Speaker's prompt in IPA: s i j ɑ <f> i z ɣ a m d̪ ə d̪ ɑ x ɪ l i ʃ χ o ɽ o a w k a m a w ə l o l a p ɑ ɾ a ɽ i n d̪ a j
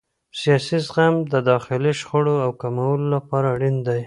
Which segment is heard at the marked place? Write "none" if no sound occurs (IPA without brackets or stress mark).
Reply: s